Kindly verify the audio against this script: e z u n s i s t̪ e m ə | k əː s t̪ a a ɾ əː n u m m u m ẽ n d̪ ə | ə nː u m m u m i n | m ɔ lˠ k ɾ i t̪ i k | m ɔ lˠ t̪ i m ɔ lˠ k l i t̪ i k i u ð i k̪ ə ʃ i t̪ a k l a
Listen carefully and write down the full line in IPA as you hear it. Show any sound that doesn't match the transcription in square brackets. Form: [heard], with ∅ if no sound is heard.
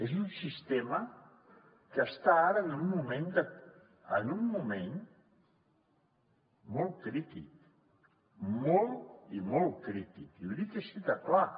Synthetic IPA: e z u n s i s t̪ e m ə | k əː s t̪ a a ɾ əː n u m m u m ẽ n d̪ ə | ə [n] u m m u m [e] n | m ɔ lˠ k ɾ i t̪ i k | m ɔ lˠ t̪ i m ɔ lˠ k [ɾ] i t̪ i k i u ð i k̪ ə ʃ i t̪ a k l a